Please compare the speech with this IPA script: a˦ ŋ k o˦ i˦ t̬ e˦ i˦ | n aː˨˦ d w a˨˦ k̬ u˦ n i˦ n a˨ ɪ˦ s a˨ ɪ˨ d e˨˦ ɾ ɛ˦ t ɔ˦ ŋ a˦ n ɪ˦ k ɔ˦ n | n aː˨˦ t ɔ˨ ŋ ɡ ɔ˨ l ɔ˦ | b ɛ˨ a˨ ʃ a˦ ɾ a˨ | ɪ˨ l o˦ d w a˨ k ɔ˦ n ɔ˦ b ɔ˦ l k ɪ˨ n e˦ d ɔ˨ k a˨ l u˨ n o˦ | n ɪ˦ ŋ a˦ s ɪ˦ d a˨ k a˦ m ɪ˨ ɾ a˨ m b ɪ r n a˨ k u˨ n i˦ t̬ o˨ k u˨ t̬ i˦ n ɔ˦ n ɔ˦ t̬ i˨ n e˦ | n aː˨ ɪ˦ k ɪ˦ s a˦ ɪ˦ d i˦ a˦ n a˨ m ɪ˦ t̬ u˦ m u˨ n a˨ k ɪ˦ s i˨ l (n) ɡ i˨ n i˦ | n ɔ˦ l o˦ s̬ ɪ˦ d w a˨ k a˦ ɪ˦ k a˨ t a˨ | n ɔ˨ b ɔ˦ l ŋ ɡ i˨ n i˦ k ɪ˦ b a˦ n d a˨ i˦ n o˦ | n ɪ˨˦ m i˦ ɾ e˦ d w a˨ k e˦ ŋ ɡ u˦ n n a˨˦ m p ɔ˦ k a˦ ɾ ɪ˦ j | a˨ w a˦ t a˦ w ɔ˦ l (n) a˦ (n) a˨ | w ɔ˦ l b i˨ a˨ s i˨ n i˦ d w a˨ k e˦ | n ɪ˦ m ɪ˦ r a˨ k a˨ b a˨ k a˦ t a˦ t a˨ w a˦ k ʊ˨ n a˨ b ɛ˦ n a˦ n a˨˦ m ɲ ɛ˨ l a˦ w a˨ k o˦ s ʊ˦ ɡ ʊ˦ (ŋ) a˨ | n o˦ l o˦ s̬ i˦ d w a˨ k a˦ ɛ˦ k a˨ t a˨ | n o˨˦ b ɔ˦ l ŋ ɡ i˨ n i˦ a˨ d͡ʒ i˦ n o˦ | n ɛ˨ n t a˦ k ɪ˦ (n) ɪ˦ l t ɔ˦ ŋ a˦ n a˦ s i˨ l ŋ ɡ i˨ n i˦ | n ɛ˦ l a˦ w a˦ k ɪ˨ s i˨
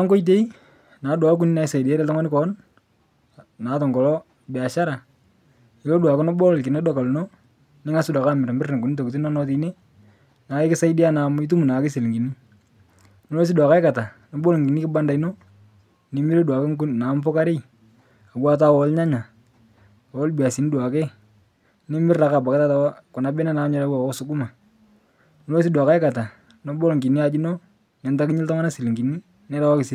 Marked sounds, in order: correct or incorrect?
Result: incorrect: ŋ, incorrect: ɲ, incorrect: ɲ, incorrect: m, incorrect: ɲ

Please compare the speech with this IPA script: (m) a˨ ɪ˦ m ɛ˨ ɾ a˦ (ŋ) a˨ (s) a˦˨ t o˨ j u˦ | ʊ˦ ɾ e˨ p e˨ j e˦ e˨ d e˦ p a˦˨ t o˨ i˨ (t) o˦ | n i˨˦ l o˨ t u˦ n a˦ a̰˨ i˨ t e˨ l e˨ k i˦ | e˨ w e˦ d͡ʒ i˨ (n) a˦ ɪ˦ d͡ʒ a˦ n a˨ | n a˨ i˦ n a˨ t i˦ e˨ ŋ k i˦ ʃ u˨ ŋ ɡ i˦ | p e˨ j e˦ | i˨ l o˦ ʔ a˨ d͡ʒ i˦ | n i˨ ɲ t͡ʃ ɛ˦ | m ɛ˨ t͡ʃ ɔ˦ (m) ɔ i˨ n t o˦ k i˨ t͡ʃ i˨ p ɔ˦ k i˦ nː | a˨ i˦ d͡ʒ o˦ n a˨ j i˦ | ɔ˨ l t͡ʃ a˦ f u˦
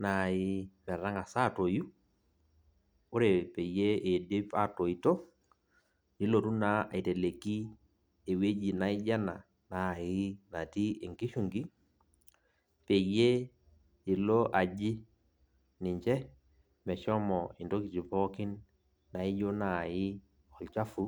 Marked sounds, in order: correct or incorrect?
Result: incorrect: n, correct, correct, correct, correct, correct

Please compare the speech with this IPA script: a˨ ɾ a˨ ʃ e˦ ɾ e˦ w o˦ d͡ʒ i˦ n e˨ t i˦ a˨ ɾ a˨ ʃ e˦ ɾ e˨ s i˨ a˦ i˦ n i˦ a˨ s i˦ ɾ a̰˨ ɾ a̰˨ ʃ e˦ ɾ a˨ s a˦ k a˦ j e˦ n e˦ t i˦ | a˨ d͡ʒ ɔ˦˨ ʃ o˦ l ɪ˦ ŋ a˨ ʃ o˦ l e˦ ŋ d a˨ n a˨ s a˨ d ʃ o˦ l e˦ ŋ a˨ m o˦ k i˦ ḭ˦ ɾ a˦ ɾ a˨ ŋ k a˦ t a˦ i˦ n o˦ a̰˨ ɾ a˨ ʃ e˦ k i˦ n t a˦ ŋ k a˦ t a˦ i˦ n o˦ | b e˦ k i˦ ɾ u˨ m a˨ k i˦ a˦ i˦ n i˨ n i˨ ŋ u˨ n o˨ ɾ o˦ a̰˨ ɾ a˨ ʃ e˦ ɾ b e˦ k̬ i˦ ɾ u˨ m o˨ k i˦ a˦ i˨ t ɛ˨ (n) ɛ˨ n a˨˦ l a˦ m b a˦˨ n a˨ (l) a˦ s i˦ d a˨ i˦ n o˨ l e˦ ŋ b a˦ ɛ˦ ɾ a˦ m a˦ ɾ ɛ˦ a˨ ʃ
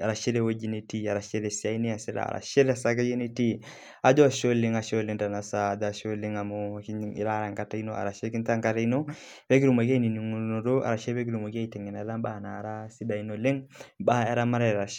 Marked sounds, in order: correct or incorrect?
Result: incorrect: ŋ, incorrect: ɾ

